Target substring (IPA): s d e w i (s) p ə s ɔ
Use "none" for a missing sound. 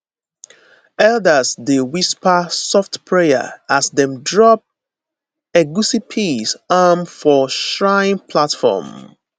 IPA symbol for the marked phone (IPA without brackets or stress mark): s